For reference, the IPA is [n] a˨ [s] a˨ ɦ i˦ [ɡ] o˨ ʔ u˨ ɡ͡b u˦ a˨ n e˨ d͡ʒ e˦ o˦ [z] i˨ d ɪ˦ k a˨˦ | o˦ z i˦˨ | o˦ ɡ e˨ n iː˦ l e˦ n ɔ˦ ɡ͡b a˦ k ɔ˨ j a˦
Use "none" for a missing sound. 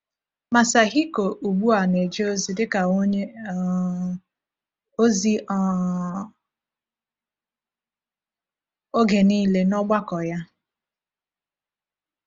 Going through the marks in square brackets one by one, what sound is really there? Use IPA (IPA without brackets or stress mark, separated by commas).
m, s, k, z